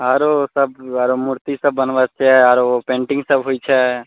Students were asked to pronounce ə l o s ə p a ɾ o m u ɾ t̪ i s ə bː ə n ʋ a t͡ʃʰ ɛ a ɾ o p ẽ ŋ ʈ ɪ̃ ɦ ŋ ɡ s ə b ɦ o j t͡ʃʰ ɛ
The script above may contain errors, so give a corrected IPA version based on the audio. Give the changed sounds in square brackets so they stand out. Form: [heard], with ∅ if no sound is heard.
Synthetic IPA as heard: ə [ɾ] o s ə [b] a ɾ o m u ɾ t̪ i s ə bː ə n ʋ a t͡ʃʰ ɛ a ɾ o p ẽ [ɳ] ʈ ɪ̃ [∅] ŋ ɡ s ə b ɦ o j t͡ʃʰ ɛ